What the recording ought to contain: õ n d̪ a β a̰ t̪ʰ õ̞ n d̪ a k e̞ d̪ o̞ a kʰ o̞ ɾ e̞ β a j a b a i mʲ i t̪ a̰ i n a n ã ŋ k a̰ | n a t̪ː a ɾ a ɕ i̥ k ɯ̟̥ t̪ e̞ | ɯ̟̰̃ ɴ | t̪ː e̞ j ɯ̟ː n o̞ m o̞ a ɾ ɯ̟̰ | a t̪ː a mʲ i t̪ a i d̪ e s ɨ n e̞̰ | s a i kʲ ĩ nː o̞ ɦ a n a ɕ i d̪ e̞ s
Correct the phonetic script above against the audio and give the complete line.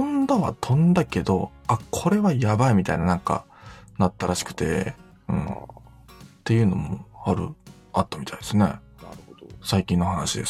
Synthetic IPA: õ n d̪ a β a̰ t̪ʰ õ̞ n d̪ a k e̞ d̪ o̞ a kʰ o̞ ɾ e̞ β a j a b a i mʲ i t̪ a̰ i n a n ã ŋ k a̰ | n a t̪ː a ɾ a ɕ i̥ k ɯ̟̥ t̪ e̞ | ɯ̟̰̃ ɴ | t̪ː e̞ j ɯ̟ː n o̞ m o̞ a ɾ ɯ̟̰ | a t̪ː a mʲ i t̪ a i d̪ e s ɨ n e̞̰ | s a i kʲ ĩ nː o̞ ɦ a n a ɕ i d̪ e̞ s